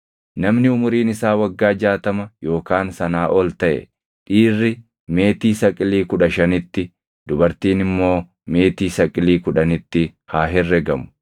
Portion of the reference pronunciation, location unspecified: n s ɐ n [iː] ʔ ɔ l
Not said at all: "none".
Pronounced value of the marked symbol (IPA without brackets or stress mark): aː